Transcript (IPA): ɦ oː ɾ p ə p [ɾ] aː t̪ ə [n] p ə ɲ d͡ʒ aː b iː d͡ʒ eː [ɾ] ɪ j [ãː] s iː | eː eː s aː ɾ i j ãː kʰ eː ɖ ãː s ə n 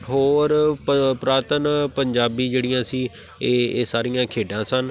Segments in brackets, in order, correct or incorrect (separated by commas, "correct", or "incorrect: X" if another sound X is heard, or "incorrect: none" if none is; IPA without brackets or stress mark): correct, correct, incorrect: ɽ, correct